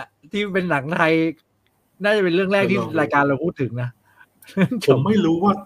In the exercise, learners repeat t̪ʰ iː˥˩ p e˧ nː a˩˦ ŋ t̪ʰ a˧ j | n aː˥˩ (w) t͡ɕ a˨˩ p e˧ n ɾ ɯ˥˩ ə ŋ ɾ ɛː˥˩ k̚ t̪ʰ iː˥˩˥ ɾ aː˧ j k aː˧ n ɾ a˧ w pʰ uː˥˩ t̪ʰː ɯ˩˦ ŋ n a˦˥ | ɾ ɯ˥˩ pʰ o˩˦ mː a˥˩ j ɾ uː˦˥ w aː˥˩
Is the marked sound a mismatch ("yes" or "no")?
yes